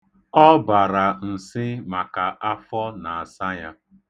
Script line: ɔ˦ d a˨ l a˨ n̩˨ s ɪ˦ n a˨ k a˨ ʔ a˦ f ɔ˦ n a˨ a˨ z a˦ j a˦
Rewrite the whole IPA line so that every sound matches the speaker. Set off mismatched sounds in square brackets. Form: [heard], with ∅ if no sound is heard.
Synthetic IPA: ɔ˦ [b] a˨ [ɾ] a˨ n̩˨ s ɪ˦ [m] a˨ k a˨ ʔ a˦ f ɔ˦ n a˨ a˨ [s] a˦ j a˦